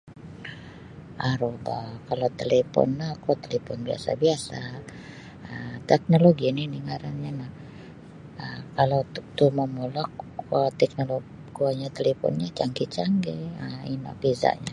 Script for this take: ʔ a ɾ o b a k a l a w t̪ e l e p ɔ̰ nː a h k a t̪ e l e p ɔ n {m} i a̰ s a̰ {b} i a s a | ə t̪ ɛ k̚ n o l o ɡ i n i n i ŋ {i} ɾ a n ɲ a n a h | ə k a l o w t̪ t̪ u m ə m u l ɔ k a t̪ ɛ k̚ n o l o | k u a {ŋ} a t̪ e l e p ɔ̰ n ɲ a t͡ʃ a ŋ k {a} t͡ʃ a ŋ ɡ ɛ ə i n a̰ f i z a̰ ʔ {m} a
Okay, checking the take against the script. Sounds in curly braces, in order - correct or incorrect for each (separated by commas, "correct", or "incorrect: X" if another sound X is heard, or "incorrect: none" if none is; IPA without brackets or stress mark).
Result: incorrect: b, correct, incorrect: a, incorrect: ɲ, incorrect: i, incorrect: ɲ